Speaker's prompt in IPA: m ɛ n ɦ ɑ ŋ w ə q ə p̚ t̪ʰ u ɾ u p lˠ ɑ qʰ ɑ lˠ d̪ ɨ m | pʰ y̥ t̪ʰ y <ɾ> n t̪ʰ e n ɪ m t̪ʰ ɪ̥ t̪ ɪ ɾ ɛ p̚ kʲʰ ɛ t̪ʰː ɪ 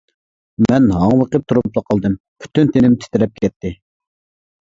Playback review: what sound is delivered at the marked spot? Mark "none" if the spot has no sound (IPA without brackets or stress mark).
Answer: none